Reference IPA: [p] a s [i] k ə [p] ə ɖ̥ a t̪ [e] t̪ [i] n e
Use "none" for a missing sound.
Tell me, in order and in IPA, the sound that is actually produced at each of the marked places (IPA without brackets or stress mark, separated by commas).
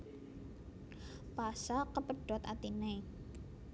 p, a, p, a, i